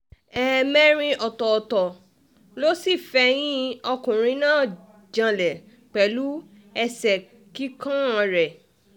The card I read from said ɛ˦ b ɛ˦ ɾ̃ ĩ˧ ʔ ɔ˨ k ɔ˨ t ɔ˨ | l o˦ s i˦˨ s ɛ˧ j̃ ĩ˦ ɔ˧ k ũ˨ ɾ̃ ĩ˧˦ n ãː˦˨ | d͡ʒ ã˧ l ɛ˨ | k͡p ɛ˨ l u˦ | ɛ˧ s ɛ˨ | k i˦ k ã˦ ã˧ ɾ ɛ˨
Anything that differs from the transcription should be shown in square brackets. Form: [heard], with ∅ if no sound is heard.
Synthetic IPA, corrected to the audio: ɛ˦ [m] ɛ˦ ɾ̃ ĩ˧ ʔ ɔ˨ [t] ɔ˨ t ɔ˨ | l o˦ s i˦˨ [f] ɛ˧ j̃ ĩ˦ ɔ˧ k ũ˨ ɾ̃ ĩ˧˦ n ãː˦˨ | d͡ʒ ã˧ l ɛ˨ | k͡p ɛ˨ l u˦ | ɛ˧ s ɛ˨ | k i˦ k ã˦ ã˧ ɾ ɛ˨

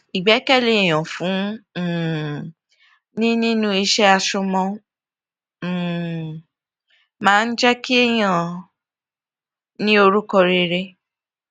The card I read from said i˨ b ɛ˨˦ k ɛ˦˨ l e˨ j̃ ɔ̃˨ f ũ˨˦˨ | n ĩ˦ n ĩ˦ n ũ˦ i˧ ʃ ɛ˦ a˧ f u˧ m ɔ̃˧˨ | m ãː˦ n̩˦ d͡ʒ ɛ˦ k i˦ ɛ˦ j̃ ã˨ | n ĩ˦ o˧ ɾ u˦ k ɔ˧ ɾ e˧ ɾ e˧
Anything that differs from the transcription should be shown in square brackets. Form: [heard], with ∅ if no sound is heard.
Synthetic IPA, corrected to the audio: i˨ [ɡ͡b] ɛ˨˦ k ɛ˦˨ l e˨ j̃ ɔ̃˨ f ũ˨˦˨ | n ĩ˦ n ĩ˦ n ũ˦ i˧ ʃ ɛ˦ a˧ [ʃ] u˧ m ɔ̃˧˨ | m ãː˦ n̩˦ d͡ʒ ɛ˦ k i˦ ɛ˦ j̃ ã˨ | n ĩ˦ o˧ ɾ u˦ k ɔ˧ ɾ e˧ ɾ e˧

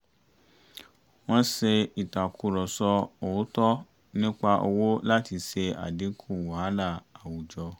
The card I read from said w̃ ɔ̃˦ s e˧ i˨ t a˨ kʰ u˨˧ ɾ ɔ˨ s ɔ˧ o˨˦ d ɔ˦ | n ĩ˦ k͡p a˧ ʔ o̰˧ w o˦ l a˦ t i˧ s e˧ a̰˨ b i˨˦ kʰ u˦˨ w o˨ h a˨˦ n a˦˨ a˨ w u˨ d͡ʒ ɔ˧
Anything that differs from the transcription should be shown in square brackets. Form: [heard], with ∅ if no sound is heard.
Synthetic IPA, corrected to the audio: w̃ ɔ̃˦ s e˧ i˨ t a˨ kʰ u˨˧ ɾ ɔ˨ s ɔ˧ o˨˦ [t] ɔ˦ | n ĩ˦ k͡p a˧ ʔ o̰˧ w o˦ l a˦ t i˧ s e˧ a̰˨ [d] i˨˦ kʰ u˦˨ w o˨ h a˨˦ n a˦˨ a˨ w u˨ d͡ʒ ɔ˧

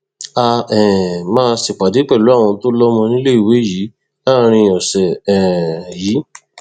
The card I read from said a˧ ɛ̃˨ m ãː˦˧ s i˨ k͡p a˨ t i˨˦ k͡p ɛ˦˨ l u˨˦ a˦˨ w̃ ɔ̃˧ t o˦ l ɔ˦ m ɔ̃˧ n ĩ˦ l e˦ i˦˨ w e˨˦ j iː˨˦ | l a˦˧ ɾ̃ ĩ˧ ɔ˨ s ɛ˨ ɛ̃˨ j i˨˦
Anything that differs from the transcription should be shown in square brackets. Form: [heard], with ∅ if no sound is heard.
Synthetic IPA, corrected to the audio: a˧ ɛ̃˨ m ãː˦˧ s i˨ k͡p a˨ [d] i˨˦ k͡p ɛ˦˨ l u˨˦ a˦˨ w̃ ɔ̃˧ t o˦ l ɔ˦ m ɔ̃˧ n ĩ˦ l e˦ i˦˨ w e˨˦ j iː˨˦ | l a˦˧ ɾ̃ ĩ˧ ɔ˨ s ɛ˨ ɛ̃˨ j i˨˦

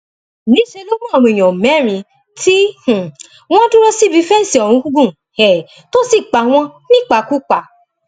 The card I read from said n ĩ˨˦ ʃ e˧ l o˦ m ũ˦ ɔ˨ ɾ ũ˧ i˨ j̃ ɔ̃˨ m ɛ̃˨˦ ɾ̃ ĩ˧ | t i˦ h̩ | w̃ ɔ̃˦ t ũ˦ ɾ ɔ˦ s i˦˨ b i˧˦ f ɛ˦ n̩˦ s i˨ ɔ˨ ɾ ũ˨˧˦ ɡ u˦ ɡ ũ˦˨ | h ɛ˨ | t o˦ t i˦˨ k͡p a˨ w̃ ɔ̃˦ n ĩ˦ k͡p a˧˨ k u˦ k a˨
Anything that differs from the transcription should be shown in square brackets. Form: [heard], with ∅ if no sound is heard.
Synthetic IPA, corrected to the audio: n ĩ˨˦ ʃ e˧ l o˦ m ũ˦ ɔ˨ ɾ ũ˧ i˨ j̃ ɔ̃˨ m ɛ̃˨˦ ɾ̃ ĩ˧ | t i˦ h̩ | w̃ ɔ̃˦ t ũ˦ ɾ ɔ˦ s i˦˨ b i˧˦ f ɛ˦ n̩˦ s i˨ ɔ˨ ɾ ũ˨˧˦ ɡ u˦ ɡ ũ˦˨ | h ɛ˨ | t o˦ [s] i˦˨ k͡p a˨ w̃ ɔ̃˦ n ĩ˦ k͡p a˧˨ k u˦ [k͡p] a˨

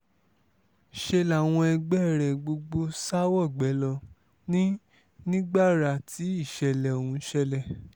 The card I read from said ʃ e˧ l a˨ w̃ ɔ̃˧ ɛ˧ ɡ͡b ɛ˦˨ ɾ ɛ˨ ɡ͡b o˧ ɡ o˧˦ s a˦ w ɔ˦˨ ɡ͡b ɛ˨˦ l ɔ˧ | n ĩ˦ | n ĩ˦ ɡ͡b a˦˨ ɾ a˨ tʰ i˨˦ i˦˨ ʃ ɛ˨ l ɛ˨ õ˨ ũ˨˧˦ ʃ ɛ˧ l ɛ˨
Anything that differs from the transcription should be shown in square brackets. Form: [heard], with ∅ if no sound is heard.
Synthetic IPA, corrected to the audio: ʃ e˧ l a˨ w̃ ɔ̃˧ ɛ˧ ɡ͡b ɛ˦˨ ɾ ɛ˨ ɡ͡b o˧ [ɡ͡b] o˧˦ s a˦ w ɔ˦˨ ɡ͡b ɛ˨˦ l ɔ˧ | n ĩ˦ | n ĩ˦ ɡ͡b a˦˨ ɾ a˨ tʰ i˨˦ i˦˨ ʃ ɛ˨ l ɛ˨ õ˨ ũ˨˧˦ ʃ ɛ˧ l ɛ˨

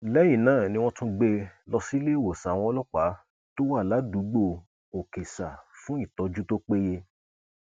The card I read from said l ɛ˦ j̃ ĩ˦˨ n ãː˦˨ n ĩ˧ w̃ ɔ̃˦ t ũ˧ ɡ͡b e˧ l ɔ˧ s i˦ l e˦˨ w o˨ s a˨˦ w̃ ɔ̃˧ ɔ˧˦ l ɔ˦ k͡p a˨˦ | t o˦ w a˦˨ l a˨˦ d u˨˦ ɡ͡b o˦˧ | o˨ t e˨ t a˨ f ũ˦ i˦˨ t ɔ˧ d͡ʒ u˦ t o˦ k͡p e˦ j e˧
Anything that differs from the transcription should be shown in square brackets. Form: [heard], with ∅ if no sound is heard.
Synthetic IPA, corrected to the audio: l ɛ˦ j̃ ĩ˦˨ n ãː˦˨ n ĩ˧ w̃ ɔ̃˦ t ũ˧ ɡ͡b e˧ l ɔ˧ s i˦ l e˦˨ w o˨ s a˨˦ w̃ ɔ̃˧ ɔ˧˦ l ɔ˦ k͡p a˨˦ | t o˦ w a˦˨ l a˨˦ d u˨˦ ɡ͡b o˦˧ | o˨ [k] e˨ [s] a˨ f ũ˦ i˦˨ t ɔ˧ d͡ʒ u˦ t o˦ k͡p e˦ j e˧

